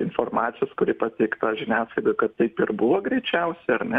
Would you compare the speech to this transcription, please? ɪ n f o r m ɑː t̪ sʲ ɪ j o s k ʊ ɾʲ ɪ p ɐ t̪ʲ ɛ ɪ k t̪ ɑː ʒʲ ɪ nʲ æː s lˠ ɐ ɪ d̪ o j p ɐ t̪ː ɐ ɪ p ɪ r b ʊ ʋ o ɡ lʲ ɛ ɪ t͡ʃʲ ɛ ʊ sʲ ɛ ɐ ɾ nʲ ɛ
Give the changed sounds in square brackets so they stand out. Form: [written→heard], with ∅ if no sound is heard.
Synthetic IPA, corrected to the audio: ɪ n f o r m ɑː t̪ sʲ ɪ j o s k ʊ ɾʲ ɪ p ɐ t̪ʲ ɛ ɪ k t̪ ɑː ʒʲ ɪ nʲ æː s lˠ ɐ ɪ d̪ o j [p→k] ɐ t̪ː ɐ ɪ p ɪ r b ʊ ʋ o ɡ [lʲ→ɾʲ] ɛ ɪ t͡ʃʲ ɛ ʊ sʲ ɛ ɐ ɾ nʲ ɛ